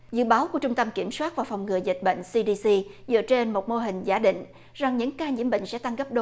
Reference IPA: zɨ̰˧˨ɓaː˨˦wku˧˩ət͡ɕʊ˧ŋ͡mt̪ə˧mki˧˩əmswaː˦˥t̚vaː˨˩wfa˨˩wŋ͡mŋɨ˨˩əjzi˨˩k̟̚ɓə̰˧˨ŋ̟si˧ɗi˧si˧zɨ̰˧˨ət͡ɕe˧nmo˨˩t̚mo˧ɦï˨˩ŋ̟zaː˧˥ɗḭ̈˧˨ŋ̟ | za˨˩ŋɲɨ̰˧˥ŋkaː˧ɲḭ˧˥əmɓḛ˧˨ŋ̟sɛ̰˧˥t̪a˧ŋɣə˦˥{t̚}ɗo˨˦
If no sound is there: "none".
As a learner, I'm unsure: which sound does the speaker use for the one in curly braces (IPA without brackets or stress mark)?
p̚